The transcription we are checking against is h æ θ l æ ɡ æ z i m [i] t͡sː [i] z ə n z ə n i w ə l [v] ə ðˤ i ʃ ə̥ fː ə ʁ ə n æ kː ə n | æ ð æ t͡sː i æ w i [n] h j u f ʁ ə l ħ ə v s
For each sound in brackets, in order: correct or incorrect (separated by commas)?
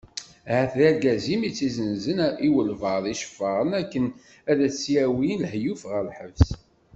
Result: correct, correct, correct, correct